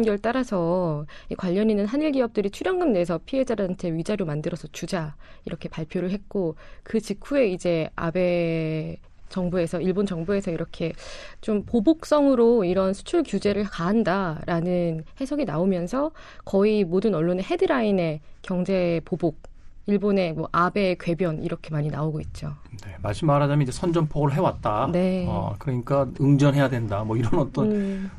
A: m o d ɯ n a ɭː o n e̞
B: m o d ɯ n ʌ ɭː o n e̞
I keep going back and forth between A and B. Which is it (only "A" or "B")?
B